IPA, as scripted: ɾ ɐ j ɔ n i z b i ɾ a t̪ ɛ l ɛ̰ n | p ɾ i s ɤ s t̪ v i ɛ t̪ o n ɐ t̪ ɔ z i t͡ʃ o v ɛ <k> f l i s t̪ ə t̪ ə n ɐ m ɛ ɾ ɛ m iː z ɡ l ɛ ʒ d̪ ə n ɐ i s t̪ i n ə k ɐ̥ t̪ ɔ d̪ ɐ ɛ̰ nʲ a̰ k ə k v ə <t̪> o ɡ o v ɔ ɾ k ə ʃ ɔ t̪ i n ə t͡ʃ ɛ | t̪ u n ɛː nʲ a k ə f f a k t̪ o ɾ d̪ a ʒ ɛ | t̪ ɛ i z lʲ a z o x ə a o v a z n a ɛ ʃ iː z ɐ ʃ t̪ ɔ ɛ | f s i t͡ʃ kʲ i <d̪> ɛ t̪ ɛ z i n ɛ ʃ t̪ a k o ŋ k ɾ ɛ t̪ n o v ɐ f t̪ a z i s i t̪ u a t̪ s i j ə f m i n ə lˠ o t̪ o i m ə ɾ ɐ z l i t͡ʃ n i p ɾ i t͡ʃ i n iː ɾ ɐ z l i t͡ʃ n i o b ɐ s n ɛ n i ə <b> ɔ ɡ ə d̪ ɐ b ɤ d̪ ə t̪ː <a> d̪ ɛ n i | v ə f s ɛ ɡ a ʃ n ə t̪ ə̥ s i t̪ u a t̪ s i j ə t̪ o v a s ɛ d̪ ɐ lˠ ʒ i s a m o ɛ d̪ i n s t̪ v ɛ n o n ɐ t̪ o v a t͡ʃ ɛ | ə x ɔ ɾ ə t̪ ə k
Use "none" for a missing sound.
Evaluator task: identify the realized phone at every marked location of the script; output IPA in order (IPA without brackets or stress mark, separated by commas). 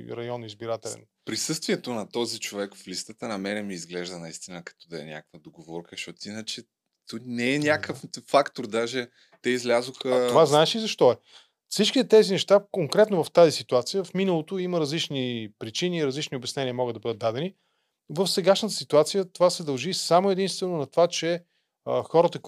k, d̪, t̪, m, a